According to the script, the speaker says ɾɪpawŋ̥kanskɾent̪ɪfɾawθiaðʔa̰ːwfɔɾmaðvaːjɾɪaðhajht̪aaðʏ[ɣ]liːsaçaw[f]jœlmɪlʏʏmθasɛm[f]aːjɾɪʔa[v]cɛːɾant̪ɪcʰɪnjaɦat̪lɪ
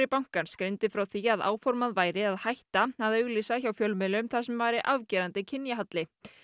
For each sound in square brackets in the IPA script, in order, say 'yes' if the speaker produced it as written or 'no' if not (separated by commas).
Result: yes, yes, no, yes